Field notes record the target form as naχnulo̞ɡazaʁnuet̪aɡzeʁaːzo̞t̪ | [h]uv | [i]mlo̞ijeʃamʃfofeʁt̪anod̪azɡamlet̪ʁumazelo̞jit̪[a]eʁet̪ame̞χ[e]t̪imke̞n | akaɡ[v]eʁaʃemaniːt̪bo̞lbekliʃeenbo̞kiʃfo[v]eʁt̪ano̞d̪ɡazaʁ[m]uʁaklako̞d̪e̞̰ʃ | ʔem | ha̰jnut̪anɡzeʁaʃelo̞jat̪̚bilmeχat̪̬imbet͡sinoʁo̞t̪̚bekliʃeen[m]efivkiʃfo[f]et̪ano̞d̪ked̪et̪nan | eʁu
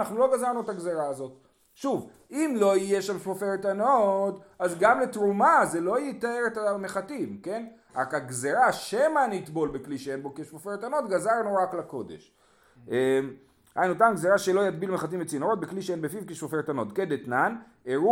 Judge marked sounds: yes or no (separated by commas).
no, yes, yes, no, no, no, no, no, yes